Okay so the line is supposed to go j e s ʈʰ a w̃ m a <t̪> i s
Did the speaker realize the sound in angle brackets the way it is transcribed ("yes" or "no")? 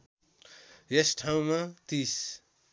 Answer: yes